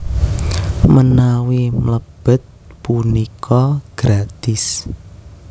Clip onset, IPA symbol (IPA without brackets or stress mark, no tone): m